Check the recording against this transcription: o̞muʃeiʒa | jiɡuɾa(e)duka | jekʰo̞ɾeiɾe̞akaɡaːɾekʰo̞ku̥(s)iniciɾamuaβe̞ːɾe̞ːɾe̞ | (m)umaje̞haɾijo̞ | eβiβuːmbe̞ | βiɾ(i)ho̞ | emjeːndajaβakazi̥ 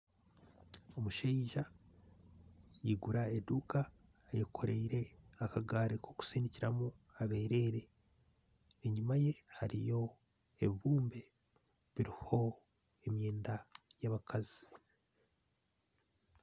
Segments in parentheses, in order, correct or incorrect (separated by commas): correct, correct, incorrect, correct